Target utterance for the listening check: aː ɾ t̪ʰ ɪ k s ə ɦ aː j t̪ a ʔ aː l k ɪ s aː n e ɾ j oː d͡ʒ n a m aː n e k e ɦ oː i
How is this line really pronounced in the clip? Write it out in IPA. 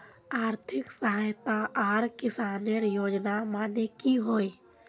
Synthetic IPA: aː ɾ t̪ʰ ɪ k s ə ɦ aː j t̪ a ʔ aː ɾ k ɪ s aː n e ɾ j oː d͡ʒ n a m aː n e k i ɦ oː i